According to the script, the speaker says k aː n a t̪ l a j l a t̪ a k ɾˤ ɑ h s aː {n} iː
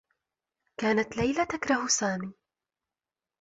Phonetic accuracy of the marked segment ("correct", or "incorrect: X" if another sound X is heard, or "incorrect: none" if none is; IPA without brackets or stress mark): incorrect: m